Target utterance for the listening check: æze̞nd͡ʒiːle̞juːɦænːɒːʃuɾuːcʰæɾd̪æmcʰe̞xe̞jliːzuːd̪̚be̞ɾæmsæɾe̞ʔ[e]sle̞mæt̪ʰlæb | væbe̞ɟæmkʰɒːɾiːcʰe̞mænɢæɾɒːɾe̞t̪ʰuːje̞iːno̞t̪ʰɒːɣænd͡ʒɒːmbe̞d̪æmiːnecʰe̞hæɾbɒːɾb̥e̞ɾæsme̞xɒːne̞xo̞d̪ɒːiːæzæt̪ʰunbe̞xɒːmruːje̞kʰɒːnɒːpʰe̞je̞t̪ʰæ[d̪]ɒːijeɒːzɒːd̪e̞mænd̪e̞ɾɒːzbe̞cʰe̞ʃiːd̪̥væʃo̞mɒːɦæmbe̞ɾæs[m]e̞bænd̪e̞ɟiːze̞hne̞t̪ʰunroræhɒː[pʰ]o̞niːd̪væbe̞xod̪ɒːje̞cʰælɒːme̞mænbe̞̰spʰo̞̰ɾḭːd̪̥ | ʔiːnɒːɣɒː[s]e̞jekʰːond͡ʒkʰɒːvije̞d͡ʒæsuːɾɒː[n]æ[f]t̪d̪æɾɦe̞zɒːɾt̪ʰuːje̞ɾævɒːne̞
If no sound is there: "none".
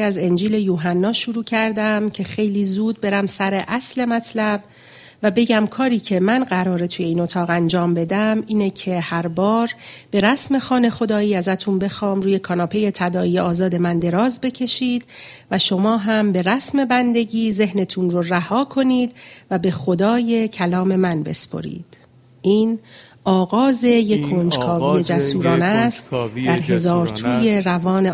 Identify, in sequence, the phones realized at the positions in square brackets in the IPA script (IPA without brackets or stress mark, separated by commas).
æ, d̪, m, kʰ, z, n, s